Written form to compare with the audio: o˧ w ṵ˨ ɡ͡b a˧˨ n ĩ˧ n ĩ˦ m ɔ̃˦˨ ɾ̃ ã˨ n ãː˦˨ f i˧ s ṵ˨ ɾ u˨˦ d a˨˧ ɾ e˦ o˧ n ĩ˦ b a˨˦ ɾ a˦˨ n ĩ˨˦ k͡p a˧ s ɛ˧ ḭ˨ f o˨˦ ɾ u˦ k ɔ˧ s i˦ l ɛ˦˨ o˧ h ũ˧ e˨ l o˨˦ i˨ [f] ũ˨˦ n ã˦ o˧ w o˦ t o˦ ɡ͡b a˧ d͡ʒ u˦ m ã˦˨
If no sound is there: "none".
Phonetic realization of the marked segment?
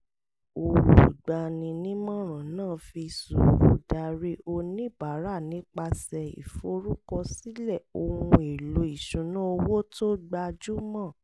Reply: ʃ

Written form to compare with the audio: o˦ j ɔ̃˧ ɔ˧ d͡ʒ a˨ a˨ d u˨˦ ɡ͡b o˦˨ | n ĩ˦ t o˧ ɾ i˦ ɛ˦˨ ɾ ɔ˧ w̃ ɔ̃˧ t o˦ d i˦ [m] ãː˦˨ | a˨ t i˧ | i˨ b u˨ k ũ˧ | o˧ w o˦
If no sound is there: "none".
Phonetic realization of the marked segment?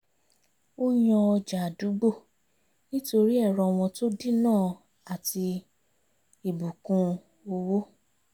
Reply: n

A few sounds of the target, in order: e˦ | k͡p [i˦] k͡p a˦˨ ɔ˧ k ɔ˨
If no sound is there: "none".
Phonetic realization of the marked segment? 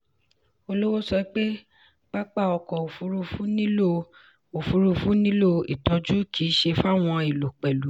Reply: a˦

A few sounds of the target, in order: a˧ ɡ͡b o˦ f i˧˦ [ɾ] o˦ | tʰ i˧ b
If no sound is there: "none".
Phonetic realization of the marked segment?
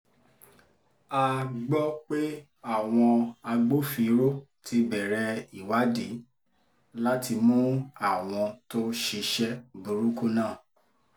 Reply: ɾ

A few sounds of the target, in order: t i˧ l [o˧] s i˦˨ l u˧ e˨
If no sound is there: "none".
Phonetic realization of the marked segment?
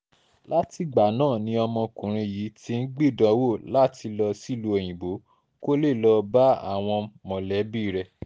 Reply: ɔ˧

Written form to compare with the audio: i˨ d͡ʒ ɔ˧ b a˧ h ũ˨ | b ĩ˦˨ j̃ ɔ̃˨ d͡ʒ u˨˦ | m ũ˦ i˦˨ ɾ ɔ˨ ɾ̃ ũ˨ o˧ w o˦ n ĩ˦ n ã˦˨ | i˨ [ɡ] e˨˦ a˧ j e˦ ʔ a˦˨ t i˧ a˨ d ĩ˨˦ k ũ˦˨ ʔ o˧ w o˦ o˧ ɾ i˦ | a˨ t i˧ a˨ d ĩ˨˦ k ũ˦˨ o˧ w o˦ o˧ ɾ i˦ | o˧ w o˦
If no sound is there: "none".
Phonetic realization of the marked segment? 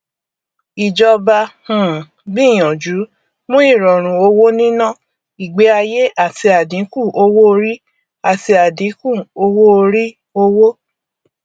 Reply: ɡ͡b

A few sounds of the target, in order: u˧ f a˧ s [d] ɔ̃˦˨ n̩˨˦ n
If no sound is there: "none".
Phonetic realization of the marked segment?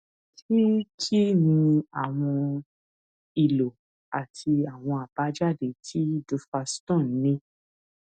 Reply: t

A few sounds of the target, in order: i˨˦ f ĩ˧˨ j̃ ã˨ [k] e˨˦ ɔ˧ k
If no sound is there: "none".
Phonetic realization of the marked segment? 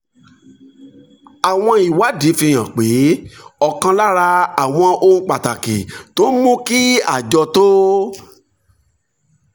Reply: k͡p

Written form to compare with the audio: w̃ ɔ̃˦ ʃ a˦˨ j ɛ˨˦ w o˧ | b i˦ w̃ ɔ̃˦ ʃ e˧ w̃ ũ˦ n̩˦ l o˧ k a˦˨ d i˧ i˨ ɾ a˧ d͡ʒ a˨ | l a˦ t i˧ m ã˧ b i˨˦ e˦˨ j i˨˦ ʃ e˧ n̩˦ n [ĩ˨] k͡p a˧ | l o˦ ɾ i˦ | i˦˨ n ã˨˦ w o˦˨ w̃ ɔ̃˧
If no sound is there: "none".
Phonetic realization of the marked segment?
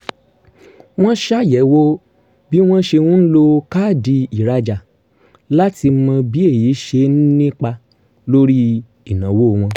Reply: ĩ˦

